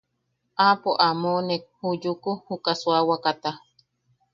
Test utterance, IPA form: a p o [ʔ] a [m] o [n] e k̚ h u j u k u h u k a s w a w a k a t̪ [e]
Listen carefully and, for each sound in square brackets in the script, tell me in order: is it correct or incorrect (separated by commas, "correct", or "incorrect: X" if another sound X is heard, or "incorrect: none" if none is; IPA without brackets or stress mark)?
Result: correct, correct, correct, incorrect: a